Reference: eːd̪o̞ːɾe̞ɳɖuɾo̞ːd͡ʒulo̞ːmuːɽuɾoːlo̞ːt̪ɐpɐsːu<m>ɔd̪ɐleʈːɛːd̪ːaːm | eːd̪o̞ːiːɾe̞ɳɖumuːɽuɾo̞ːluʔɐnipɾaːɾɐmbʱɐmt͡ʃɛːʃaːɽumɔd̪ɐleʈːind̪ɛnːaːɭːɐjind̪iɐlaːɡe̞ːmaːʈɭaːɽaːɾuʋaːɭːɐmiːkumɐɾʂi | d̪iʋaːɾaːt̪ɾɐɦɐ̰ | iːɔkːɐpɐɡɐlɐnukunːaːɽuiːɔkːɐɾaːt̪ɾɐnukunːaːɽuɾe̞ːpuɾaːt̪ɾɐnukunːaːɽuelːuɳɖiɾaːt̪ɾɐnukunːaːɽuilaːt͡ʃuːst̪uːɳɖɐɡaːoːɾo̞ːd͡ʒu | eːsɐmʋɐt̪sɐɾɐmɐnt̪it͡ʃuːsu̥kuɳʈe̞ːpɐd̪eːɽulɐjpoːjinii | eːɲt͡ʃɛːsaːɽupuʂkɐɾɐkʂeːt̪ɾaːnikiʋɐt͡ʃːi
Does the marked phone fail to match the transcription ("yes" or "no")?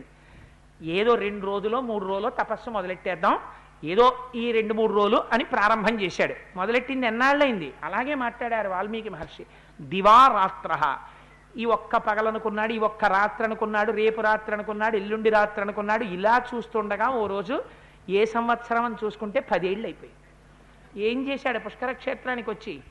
no